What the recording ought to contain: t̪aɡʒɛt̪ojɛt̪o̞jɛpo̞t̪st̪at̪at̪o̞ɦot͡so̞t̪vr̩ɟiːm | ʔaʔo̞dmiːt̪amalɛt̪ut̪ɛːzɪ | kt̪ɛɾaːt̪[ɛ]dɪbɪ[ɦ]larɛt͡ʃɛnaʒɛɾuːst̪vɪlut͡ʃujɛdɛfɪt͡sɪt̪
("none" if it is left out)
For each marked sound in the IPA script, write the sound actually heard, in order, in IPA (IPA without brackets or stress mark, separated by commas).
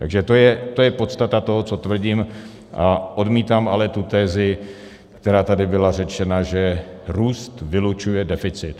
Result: a, none